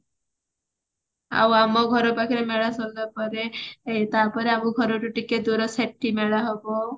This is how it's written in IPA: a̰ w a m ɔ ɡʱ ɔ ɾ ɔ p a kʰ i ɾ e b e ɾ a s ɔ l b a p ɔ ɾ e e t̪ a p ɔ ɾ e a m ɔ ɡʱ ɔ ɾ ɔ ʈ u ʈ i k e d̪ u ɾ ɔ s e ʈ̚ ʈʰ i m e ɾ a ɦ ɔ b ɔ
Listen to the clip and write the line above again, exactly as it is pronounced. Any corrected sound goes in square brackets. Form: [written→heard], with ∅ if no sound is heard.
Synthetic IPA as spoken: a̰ w a m ɔ ɡʱ ɔ ɾ ɔ p a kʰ i ɾ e [b→m] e [ɾ→ɭ] a s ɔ l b a p ɔ ɾ e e t̪ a p ɔ ɾ e a m [ɔ→u] ɡʱ ɔ ɾ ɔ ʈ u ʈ i k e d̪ u ɾ ɔ s e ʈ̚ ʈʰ i m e [ɾ→ɭ] a ɦ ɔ b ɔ